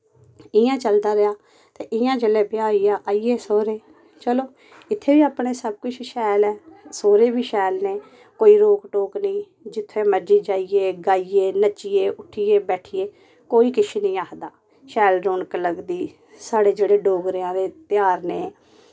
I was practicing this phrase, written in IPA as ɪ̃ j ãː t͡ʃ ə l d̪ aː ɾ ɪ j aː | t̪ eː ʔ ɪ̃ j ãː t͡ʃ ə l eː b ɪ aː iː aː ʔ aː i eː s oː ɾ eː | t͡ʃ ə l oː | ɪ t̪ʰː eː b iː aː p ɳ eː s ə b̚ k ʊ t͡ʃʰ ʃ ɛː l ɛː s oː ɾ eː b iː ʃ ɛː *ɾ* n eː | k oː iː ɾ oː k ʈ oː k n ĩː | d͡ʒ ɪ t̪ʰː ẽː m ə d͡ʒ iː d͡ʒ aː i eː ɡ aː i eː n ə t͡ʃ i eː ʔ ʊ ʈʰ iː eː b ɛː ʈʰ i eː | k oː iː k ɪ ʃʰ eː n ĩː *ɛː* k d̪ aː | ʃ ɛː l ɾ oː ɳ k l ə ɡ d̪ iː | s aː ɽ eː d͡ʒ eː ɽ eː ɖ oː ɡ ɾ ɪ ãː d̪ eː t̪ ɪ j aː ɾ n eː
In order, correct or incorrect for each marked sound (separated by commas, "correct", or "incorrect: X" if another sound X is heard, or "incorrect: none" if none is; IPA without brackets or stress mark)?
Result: incorrect: l, incorrect: aː